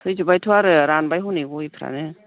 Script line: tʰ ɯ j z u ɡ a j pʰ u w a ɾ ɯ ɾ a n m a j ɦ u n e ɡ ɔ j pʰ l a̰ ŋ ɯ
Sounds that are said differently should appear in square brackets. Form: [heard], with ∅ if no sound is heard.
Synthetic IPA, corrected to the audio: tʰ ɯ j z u [b] a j [tʰ] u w a ɾ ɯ ɾ a n [b] a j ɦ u n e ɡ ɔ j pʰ [ɾ] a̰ [n] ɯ